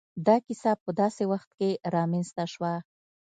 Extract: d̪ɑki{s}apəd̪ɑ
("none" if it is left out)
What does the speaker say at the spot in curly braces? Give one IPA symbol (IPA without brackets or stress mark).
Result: s